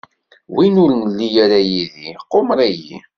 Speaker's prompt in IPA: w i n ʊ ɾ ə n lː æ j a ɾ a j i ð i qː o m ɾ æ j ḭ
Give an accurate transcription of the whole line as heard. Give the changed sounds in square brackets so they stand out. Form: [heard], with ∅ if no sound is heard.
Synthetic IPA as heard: w i n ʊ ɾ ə n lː [i] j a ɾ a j i ð i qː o m ɾ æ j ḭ